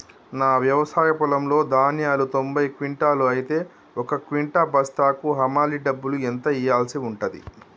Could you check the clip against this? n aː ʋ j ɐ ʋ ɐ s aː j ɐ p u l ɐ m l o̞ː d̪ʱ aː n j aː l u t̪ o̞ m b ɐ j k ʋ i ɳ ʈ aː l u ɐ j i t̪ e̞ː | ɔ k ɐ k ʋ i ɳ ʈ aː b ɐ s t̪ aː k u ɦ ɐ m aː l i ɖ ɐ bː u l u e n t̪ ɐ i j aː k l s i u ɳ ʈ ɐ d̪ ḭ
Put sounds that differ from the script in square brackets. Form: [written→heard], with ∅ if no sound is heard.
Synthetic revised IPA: n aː ʋ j ɐ ʋ ɐ s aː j ɐ p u l ɐ m l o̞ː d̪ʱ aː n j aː l u t̪ o̞ m b ɐ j k ʋ i ɳ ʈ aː l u ɐ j i t̪ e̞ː | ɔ k ɐ k ʋ i ɳ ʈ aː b ɐ s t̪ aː k u ɦ ɐ m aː l i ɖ ɐ bː u l u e n t̪ ɐ i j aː [k→∅] l s i u ɳ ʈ ɐ d̪ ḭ